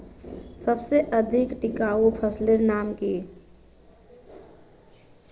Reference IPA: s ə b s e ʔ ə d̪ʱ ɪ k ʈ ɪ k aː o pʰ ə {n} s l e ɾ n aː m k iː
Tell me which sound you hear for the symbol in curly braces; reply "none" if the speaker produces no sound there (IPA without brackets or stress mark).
none